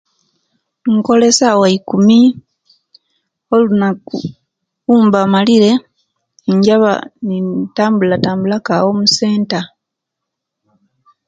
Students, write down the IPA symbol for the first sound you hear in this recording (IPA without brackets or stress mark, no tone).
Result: ŋ